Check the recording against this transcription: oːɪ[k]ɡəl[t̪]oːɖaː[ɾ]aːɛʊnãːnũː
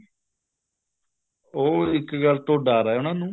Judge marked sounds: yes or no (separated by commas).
yes, yes, yes